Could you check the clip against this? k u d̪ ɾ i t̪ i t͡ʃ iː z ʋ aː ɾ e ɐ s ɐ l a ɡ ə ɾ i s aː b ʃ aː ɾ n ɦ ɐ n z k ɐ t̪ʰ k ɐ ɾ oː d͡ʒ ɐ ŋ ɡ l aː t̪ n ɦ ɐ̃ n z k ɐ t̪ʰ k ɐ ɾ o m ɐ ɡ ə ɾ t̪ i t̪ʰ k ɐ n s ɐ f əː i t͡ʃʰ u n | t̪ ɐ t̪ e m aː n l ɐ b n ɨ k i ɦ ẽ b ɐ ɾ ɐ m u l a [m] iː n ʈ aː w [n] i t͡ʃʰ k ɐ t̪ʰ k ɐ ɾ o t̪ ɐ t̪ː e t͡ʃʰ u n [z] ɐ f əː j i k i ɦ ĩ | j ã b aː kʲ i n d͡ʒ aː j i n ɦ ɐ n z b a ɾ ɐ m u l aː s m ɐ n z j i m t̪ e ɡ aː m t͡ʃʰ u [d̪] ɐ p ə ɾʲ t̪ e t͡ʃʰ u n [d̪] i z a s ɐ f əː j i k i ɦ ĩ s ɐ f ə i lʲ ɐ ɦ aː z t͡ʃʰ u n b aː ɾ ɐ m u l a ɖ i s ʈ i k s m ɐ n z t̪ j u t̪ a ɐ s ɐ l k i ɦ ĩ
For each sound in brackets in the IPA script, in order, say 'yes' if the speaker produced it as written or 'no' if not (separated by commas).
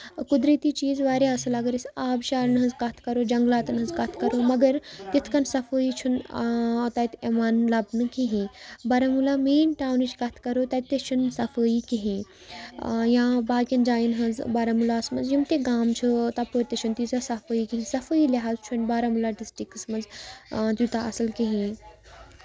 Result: yes, yes, no, no, no